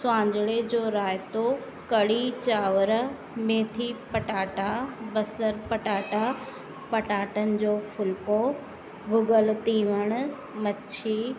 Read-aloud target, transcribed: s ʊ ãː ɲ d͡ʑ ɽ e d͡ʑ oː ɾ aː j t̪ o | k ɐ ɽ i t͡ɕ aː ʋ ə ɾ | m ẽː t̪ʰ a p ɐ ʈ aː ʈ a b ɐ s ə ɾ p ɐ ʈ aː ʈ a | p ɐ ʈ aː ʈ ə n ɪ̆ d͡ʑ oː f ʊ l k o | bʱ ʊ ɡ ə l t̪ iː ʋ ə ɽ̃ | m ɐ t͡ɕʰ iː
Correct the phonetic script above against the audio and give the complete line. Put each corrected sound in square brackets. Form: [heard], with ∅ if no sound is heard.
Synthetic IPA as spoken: s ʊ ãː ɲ d͡ʑ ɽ e d͡ʑ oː ɾ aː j t̪ o | k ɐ ɽ i t͡ɕ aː ʋ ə ɾ | m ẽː t̪ʰ [i] p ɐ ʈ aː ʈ a b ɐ s ə ɾ p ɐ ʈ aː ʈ a | p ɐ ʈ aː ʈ ə n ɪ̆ d͡ʑ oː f ʊ l k o | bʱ ʊ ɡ ə l t̪ iː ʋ ə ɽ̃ | m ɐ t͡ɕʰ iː